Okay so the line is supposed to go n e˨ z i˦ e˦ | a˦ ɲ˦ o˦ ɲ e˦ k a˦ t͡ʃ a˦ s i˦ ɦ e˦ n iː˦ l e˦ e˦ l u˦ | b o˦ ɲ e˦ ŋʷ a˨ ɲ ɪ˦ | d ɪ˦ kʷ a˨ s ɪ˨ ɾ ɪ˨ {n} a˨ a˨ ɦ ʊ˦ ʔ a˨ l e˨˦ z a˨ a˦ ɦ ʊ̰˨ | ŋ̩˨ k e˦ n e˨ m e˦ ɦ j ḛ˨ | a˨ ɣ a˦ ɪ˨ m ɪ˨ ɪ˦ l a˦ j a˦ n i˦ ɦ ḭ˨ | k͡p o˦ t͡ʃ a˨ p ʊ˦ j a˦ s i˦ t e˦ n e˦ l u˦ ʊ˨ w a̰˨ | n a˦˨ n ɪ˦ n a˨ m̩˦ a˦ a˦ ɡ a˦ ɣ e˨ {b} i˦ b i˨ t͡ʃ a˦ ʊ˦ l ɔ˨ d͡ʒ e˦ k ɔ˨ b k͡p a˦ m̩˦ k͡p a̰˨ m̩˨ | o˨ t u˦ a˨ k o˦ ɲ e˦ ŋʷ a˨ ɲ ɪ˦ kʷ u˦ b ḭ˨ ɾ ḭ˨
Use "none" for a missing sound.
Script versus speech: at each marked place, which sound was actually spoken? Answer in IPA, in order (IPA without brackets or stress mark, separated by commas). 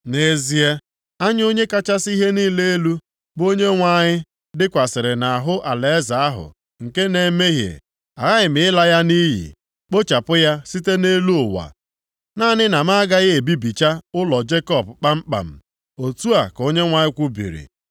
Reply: n, b